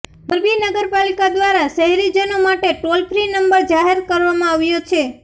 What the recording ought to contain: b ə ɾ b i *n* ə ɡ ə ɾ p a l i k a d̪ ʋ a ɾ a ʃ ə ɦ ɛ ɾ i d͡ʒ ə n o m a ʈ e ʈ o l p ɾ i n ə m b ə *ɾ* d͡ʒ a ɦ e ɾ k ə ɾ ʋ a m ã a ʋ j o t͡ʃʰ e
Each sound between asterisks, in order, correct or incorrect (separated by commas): correct, correct